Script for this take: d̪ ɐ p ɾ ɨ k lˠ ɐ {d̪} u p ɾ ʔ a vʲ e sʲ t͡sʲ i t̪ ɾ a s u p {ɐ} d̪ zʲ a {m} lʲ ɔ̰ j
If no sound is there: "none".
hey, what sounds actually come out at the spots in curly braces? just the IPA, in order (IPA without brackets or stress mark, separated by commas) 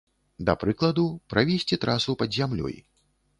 d̪, ɐ, m